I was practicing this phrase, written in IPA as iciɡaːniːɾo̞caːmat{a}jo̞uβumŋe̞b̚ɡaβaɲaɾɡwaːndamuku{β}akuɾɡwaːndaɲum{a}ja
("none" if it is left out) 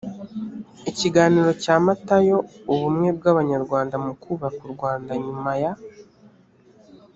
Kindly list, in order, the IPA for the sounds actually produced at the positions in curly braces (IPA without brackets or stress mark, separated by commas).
a, β, a